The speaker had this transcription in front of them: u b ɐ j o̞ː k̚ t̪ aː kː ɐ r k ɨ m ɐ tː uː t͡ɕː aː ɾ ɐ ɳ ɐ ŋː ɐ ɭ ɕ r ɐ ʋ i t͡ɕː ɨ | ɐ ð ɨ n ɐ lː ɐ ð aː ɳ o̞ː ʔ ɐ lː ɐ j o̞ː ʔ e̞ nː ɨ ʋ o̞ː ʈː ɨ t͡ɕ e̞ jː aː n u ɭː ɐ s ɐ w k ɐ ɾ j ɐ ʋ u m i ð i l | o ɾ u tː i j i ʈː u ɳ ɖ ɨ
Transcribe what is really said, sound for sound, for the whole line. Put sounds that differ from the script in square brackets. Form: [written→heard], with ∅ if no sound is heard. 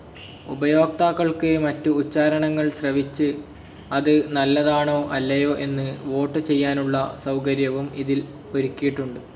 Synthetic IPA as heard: u b ɐ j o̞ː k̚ t̪ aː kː ɐ [r→ɭ] k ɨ m ɐ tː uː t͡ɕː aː ɾ ɐ ɳ ɐ ŋː ɐ ɭ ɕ r ɐ ʋ i t͡ɕː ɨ | ɐ ð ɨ n ɐ lː ɐ ð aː ɳ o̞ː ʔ ɐ lː ɐ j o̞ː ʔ e̞ nː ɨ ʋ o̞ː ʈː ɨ t͡ɕ e̞ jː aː n u ɭː ɐ s ɐ w k ɐ ɾ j ɐ ʋ u m i ð i l | o ɾ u [tː→kː] i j i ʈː u ɳ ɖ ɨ